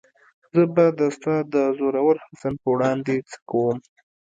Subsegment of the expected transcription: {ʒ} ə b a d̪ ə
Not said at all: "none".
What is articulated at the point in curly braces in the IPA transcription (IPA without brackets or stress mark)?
z